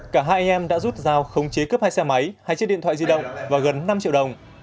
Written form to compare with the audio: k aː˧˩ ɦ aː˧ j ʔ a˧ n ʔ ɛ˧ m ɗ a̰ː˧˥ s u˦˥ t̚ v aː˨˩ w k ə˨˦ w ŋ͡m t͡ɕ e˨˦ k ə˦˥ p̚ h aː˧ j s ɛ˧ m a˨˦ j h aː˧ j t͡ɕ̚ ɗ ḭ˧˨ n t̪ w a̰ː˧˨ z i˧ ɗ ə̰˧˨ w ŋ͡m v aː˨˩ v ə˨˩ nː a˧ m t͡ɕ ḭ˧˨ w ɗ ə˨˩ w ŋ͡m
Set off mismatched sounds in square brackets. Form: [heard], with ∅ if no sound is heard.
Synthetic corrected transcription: k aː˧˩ ɦ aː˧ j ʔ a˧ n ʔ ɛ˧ m ɗ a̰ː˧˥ [z] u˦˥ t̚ [z] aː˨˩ w [x] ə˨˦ w ŋ͡m t͡ɕ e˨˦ k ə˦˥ p̚ h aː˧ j s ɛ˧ m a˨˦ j h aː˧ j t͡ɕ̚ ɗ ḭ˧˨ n t̪ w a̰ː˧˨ z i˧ ɗ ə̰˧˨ w ŋ͡m v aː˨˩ [ɣ] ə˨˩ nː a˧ m t͡ɕ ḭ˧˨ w ɗ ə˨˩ w ŋ͡m